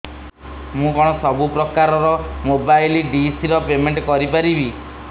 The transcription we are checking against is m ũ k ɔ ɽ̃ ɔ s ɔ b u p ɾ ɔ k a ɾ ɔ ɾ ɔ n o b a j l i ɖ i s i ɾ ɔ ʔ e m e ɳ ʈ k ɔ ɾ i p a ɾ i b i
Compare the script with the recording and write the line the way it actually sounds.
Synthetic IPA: m ũ k ɔ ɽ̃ ɔ s ɔ b u p ɾ ɔ k a ɾ ɔ ɾ ɔ m o b a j l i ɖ i s i ɾ ɔ p e m e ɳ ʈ k ɔ ɾ i p a ɾ i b i